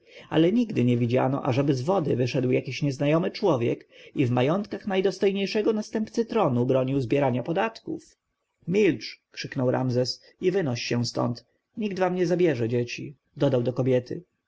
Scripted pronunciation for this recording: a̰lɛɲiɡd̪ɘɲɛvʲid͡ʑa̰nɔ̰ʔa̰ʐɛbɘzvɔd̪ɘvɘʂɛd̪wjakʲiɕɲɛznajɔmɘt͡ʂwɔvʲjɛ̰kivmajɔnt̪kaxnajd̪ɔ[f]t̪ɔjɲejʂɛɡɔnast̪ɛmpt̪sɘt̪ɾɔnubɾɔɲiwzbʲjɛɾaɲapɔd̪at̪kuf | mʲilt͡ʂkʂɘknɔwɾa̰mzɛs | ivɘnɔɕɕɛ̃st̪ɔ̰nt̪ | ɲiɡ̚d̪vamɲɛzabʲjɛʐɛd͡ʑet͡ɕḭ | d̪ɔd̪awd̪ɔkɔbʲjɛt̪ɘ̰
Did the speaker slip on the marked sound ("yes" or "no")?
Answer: yes